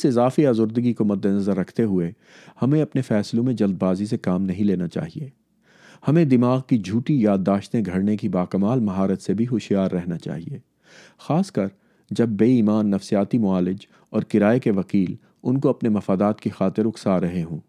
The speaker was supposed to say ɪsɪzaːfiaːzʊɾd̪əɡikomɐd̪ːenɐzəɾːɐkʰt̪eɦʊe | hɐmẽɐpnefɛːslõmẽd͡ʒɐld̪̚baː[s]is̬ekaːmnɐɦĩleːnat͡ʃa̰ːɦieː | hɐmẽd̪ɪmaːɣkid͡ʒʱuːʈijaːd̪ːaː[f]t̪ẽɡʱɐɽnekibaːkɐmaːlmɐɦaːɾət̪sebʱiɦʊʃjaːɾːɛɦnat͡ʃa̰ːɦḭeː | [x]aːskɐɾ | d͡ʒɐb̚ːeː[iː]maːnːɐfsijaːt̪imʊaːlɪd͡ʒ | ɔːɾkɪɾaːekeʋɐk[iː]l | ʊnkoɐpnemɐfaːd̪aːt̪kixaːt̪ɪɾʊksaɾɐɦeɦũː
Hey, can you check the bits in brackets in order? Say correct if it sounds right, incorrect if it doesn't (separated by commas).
incorrect, incorrect, correct, correct, correct